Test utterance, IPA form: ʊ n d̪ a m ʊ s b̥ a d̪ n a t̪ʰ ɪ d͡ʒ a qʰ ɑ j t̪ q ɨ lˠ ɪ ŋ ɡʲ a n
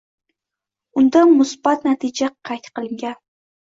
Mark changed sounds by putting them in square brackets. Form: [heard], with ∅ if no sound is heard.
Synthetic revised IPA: ʊ n d̪ a m ʊ s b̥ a [t̪] n a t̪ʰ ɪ d͡ʒ a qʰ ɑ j t̪ q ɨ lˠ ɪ ŋ ɡʲ a n